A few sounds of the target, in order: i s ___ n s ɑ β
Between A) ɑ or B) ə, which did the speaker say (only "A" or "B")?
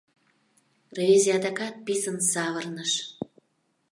B